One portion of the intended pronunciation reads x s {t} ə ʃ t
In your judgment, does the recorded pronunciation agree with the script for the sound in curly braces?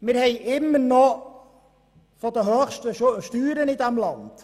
yes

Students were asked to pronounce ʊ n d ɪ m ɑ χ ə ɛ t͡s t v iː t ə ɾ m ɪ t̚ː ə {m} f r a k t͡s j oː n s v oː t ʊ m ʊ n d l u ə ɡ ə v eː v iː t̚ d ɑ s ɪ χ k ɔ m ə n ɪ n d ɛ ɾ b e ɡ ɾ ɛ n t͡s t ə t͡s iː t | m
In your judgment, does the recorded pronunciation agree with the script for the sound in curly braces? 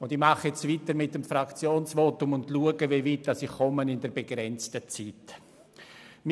yes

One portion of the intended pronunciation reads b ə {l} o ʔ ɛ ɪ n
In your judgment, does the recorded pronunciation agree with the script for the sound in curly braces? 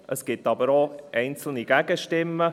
no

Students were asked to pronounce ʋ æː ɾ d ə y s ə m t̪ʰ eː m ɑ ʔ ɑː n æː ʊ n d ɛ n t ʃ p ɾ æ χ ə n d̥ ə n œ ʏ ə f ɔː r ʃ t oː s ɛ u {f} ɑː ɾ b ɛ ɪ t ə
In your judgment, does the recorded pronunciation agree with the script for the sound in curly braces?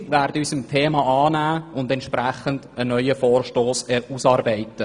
no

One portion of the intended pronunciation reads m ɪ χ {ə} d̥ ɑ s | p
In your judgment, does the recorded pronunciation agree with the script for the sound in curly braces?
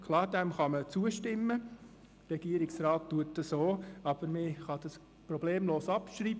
no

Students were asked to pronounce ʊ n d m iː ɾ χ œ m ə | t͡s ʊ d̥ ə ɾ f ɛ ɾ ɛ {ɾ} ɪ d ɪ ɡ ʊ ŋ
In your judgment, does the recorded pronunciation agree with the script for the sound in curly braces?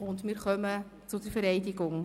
no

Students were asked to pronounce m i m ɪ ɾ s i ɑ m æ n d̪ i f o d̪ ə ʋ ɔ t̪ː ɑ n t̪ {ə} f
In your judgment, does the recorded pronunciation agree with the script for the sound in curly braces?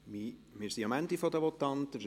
yes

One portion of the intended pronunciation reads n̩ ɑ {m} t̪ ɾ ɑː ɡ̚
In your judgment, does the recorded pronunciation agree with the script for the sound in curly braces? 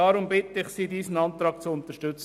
no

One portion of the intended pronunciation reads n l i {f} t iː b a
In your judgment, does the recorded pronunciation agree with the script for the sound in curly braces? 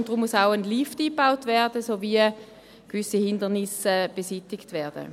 yes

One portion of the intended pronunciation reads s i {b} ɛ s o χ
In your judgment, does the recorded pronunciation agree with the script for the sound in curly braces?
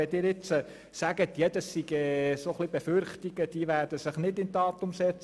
no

